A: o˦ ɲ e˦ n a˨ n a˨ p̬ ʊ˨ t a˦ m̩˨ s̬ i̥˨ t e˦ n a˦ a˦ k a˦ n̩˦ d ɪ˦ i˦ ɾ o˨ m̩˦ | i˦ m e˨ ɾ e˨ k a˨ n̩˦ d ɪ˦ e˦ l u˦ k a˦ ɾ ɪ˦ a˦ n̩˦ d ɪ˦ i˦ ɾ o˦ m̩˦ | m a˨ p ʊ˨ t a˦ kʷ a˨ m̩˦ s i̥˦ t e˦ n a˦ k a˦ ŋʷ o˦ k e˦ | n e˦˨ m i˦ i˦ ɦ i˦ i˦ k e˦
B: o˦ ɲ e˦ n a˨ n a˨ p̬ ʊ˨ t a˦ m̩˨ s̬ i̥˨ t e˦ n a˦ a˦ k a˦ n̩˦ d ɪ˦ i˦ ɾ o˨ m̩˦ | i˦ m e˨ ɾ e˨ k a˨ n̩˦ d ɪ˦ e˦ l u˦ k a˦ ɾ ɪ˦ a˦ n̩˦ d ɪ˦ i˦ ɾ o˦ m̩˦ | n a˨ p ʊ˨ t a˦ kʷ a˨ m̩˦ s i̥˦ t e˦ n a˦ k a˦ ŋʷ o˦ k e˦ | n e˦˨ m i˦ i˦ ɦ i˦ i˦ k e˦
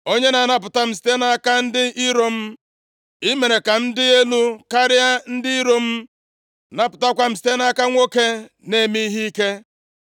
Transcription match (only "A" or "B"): B